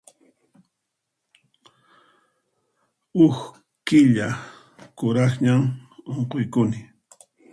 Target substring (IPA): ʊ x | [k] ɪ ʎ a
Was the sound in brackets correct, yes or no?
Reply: yes